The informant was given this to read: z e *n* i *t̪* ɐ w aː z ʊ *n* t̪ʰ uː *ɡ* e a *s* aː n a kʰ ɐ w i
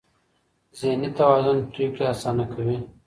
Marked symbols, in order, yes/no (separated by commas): yes, yes, yes, no, yes